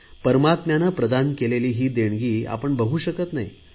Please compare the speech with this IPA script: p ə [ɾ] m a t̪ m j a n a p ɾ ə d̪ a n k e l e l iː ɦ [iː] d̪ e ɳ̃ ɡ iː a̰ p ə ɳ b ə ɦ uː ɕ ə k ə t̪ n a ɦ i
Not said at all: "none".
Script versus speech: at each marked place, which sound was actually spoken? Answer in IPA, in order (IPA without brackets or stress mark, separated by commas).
ɾ, iː